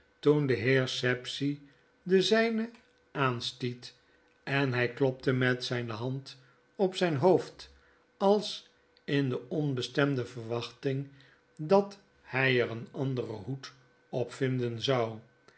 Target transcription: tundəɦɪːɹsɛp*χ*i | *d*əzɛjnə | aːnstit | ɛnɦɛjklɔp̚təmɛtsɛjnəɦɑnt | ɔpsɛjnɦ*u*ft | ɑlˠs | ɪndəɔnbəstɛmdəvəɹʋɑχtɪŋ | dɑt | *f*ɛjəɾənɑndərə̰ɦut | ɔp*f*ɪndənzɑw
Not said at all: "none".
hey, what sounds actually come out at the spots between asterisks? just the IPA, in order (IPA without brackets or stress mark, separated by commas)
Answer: s, d, o, h, f